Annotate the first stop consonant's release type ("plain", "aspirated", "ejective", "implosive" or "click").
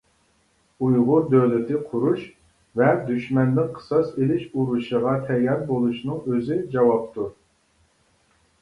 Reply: plain